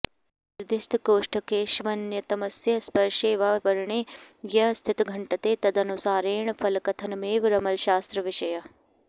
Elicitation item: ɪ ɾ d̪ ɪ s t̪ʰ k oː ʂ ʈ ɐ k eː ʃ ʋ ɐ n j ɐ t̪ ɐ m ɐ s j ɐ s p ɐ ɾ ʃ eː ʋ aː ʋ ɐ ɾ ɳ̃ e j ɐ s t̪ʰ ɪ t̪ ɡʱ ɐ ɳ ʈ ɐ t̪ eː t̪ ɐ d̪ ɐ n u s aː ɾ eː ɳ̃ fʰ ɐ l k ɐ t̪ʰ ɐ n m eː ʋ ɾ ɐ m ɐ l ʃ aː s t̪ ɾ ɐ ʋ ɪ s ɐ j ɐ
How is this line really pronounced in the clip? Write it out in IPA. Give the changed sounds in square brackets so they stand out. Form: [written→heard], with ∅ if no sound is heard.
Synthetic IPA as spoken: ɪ ɾ d̪ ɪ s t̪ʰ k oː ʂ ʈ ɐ k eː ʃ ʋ ɐ n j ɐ t̪ ɐ m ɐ s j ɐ s p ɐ ɾ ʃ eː ʋ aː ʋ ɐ ɾ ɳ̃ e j ɐ s t̪ʰ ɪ t̪ ɡʱ ɐ ɳ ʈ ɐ t̪ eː t̪ ɐ d̪ ɐ n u s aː ɾ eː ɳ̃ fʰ ɐ l k ɐ t̪ʰ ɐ n m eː ʋ ɾ ɐ m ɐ l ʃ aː s t̪ ɾ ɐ ʋ ɪ [s→ʃ] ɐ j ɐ